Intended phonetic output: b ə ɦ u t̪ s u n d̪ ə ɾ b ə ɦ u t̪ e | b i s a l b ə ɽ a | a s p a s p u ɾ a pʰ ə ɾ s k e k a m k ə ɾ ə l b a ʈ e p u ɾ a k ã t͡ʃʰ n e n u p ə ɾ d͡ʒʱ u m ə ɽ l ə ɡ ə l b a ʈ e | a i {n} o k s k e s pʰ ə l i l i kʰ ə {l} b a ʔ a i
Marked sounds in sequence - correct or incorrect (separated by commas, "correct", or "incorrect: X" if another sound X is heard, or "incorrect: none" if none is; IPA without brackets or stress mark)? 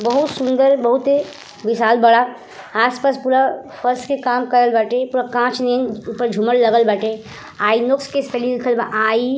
correct, correct